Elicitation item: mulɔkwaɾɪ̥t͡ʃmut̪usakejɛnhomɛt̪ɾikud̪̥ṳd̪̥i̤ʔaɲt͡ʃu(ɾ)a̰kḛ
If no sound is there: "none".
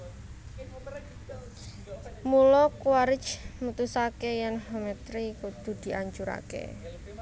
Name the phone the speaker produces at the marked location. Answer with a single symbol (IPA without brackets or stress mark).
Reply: ɾ